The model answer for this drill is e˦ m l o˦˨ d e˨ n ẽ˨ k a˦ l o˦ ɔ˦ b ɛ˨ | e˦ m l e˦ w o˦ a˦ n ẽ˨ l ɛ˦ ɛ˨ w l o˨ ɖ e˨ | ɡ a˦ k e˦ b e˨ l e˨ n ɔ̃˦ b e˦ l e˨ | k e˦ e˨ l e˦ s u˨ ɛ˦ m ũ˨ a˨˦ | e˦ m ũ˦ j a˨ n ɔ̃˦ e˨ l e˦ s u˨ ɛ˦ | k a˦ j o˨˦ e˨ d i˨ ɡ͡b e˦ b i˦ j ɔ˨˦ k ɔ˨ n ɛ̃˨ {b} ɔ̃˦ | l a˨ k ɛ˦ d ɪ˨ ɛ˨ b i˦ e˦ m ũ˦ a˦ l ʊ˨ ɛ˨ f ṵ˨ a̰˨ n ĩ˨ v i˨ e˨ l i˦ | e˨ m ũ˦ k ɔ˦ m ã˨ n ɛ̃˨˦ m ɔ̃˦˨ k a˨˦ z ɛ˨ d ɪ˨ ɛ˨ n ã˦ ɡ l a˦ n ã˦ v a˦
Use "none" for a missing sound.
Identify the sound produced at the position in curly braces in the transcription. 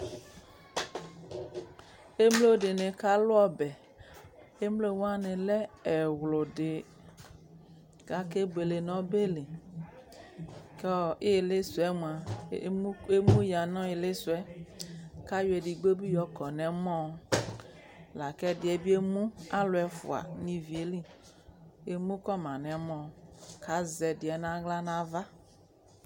m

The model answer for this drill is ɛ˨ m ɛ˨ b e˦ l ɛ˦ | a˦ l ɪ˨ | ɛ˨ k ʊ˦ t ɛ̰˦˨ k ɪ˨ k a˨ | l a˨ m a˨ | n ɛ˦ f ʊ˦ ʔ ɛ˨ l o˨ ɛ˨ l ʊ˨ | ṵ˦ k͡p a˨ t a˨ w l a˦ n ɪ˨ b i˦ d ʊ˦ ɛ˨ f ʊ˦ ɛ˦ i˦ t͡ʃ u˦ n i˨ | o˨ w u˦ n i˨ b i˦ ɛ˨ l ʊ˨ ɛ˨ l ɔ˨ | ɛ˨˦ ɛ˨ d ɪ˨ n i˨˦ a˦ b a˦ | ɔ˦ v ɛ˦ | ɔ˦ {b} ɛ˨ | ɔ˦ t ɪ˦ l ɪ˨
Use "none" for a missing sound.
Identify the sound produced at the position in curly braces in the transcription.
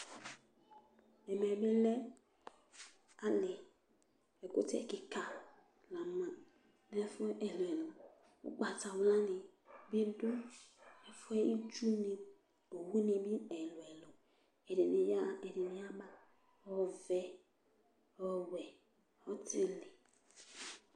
w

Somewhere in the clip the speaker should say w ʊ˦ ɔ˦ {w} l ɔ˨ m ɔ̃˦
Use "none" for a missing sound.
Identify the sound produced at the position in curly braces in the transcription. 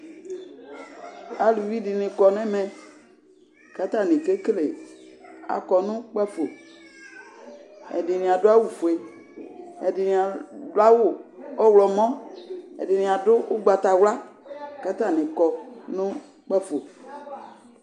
w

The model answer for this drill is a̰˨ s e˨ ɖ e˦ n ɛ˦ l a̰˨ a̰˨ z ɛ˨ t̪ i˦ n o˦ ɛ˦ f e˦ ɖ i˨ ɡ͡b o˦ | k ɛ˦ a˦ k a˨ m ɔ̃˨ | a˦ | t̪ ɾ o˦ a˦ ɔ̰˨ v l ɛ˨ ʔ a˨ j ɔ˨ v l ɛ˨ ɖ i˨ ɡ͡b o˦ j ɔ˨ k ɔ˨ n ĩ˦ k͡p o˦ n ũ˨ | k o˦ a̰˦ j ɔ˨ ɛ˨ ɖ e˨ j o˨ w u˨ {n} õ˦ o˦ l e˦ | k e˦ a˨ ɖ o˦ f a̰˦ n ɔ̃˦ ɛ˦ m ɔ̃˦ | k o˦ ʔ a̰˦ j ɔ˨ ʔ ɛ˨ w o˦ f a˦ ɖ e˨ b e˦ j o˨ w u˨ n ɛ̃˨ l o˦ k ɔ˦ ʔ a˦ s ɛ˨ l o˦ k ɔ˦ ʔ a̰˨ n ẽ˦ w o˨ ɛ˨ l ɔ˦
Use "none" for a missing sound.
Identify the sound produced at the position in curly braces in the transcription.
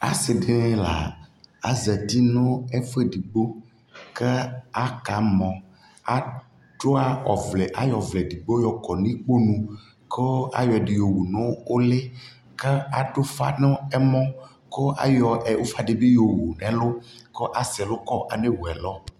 n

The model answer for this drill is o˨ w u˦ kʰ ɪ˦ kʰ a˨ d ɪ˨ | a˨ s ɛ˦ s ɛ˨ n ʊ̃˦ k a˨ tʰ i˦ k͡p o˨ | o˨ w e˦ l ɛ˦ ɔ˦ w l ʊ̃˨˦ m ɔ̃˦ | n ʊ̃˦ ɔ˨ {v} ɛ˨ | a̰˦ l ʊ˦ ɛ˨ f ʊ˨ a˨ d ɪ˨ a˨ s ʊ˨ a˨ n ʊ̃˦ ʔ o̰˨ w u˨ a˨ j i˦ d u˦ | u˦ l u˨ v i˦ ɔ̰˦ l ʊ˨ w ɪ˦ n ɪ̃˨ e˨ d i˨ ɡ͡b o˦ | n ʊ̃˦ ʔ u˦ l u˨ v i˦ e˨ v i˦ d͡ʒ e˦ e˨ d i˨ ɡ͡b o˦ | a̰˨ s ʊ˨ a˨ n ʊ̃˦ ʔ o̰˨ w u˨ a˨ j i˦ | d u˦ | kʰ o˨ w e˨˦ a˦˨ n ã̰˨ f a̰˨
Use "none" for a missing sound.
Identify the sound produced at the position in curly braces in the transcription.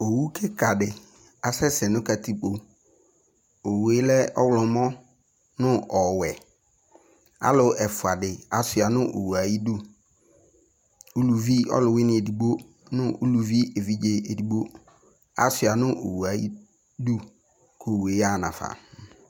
w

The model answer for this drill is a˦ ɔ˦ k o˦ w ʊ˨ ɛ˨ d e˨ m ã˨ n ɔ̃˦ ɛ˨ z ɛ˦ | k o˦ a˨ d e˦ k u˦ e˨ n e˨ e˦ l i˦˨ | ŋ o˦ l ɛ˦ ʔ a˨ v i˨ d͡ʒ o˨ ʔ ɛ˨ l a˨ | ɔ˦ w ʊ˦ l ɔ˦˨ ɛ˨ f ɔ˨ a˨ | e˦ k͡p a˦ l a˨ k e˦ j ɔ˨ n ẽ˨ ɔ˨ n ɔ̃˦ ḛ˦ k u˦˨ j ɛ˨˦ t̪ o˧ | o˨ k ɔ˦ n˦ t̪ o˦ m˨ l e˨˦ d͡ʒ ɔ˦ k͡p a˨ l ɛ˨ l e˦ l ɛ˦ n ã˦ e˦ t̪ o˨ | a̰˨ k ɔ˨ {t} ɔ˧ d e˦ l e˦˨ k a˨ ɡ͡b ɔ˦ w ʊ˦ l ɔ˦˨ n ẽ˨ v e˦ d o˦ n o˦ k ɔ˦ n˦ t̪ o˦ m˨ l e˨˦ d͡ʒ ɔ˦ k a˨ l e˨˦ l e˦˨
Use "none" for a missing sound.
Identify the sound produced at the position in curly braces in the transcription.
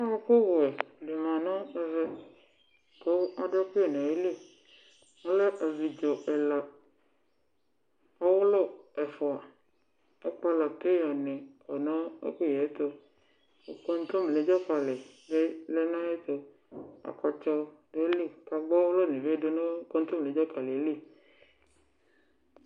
t͡ʃ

